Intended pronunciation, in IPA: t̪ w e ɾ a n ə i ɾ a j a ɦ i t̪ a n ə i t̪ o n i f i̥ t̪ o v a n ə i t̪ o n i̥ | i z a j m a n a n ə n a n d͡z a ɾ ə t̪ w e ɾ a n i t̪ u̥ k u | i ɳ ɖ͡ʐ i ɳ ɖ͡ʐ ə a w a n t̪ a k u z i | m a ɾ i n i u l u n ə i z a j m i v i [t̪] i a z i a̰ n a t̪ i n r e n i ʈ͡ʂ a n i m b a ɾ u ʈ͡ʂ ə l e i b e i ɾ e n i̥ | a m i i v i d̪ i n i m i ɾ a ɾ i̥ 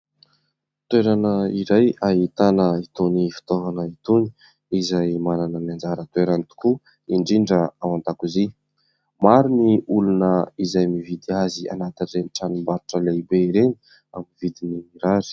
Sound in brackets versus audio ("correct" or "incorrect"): incorrect